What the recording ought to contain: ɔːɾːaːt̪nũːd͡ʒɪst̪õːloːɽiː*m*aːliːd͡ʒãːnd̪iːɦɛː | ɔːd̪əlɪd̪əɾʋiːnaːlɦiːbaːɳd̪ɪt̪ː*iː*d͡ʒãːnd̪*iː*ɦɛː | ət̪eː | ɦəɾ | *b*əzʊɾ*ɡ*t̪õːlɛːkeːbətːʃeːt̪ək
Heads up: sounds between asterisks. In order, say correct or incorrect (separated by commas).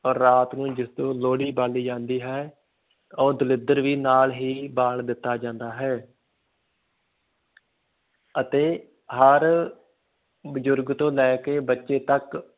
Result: incorrect, incorrect, incorrect, correct, correct